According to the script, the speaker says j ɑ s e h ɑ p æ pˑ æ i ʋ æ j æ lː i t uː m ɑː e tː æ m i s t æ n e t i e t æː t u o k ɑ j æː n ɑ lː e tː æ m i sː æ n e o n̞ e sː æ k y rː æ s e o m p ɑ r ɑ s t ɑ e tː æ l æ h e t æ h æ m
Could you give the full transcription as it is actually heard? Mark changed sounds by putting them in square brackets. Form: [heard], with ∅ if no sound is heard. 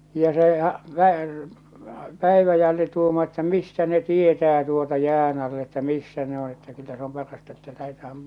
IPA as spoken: j ɑ s e h ɑ p æ pˑ æ i ʋ æ j æ lː i t uː m ɑː e tː æ m i s t æ n e t i e t æː t u o [t] ɑ j æː n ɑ lː e tː æ m i sː æ n e o n̞ e [tː] æ k y [lː] æ s e o m p ɑ r ɑ s t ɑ e tː æ l æ h e t æ h æ m